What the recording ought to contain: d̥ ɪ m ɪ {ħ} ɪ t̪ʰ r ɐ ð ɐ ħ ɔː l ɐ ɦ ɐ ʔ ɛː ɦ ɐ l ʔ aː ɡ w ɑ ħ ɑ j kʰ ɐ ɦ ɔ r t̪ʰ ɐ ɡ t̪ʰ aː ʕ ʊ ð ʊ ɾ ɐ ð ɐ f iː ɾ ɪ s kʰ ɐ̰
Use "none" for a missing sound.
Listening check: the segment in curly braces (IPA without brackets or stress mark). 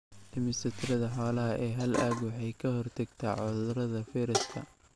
s